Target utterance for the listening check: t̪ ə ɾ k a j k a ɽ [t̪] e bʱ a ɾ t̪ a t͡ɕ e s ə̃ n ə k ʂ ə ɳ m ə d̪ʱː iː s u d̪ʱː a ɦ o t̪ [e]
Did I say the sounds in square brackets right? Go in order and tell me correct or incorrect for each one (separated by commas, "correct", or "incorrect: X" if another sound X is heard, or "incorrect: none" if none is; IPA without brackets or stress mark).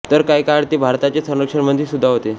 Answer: correct, correct